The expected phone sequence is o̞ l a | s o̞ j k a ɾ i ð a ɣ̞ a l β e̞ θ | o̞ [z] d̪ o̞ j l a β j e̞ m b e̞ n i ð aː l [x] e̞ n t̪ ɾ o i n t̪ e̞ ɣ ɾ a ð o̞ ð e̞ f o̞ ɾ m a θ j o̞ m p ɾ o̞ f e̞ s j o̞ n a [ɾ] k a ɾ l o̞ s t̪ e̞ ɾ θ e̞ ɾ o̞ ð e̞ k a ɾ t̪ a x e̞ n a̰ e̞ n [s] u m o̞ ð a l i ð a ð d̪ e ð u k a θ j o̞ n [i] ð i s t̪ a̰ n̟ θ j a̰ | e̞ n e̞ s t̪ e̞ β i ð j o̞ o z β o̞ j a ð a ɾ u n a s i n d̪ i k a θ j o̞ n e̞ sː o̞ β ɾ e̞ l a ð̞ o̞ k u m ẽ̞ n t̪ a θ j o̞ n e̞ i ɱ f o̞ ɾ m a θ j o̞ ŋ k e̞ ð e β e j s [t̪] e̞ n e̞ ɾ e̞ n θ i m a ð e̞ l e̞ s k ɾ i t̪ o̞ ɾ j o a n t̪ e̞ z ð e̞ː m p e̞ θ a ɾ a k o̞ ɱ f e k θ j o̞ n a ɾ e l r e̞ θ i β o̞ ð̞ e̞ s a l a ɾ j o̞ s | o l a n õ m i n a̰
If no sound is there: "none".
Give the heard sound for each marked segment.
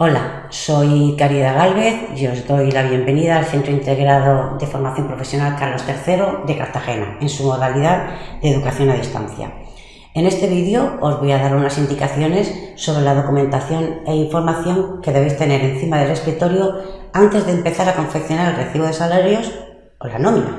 z, θ, l, s, a, t̪

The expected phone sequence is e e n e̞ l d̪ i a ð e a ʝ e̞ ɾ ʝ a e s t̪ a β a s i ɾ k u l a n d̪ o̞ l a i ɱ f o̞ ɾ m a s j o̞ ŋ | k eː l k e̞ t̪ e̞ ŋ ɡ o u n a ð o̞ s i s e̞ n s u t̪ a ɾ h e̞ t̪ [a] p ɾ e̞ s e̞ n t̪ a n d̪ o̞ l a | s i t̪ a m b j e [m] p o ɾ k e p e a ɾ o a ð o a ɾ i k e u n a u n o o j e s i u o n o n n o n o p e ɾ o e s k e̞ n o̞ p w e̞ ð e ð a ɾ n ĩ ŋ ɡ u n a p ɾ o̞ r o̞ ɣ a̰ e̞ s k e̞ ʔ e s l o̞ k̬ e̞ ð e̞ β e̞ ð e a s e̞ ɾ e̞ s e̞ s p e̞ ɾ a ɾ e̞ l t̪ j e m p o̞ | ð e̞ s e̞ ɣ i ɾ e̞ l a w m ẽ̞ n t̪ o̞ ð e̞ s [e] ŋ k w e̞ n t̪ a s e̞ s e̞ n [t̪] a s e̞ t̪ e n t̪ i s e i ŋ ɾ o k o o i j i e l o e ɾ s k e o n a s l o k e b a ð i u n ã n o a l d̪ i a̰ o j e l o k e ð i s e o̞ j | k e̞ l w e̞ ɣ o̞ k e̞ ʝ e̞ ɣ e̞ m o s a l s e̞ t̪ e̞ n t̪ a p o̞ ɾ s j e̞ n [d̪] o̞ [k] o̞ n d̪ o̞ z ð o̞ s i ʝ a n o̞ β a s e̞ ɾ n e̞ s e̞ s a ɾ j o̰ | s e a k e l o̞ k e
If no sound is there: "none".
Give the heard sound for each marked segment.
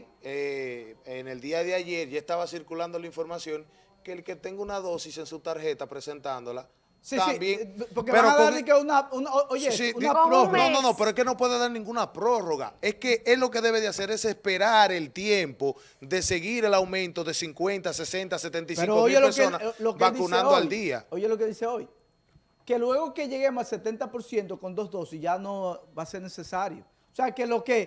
a, ŋ, i, t̪, t̪, k

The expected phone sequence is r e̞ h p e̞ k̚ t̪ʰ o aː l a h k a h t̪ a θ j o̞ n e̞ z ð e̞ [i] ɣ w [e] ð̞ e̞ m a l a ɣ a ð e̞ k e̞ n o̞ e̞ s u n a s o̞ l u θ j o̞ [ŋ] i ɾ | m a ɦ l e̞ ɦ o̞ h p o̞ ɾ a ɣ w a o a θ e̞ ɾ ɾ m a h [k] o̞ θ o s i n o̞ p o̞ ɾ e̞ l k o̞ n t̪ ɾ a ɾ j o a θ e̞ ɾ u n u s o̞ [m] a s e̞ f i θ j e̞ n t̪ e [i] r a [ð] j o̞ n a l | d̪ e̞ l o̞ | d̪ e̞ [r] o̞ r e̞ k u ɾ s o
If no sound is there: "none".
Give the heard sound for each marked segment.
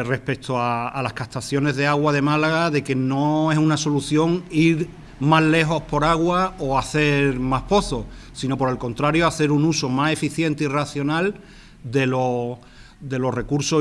a, a, ŋ, p, m, i, θ, l

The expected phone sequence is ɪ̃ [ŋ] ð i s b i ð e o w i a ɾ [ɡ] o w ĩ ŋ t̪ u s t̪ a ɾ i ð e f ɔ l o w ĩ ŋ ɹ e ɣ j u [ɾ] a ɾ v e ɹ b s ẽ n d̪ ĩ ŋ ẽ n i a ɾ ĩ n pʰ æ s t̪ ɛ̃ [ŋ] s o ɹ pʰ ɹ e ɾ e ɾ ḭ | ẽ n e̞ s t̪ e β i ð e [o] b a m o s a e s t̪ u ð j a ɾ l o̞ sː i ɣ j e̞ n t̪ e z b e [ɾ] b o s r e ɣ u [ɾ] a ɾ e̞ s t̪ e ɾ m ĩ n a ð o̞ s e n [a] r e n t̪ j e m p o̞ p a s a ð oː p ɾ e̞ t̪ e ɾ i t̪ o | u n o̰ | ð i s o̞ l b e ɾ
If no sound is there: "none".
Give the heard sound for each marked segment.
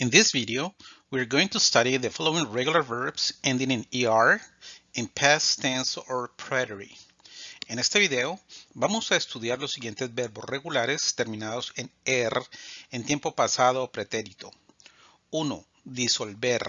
n, ɡ, l, n, o, ɾ, l, e

